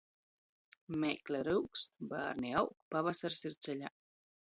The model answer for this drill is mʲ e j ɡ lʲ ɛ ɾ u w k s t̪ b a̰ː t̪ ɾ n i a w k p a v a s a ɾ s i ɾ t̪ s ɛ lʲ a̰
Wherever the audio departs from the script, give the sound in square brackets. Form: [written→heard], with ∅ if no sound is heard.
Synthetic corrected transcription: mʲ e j [ɡ→k] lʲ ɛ ɾ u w k s t̪ b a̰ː [t̪→∅] ɾ n i a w k p a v a s a ɾ s i ɾ t̪ s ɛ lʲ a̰